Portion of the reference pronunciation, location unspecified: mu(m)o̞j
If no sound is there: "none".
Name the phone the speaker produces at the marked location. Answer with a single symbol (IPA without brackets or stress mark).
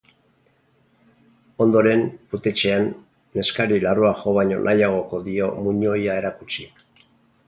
ɲ